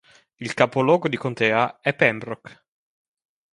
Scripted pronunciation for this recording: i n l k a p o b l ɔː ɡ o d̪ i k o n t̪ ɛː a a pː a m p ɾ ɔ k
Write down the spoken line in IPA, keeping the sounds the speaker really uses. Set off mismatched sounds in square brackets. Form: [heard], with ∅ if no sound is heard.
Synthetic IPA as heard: i [∅] l k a p o [∅] l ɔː ɡ o d̪ i k o n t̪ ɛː a [ɛ] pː [ɛ] m [b] ɾ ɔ k

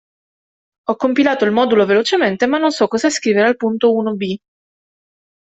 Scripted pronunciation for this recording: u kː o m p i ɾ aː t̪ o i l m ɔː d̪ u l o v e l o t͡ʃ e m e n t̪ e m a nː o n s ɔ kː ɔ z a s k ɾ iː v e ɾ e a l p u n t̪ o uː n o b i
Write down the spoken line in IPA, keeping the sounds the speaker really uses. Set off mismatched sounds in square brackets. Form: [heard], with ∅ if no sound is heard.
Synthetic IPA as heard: [ɔ] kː o m p i [l] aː t̪ o i l m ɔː d̪ u l o v e l o t͡ʃ e m e n t̪ e m a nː o n s ɔ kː ɔ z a s k ɾ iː v e ɾ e a l p u n t̪ o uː n o b i

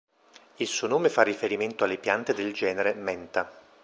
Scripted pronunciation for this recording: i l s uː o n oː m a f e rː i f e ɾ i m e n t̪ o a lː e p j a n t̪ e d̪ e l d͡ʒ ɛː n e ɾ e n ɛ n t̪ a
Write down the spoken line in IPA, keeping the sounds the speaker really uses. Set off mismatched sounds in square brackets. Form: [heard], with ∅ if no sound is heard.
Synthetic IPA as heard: i l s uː o n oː m [e] f [a] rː i f e ɾ i m e n t̪ o a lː e p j a n t̪ e d̪ e l d͡ʒ ɛː n e ɾ e [m] ɛ n t̪ a

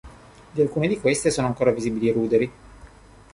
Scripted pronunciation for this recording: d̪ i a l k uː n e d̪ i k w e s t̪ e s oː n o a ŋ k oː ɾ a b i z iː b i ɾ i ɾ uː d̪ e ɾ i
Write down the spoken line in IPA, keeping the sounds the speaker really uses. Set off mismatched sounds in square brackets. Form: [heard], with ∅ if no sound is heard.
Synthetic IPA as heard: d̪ i a l k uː n e d̪ i k w e s t̪ e s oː n o a ŋ k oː ɾ a [v] i z iː b i [l] i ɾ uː d̪ e ɾ i

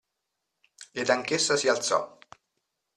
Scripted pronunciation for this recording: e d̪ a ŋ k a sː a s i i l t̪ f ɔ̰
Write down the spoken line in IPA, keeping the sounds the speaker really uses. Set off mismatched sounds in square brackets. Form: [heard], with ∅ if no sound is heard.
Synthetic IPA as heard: e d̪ a ŋ k [e] sː a s i [a] l t̪ [s] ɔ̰

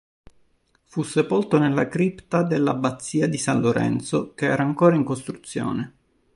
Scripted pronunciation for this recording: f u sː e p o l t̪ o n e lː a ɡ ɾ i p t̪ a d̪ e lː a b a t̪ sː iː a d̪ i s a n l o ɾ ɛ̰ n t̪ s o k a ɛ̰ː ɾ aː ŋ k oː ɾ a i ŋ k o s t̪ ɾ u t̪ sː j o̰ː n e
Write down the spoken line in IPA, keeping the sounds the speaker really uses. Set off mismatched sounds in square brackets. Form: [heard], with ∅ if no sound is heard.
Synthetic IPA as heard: f u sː e p o l t̪ o n e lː a [k] ɾ i p t̪ a d̪ e lː a b a t̪ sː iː a d̪ i s a n l o ɾ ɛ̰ n t̪ s o k [e] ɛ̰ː ɾ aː ŋ k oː ɾ a i ŋ k o s t̪ ɾ u t̪ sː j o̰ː n e

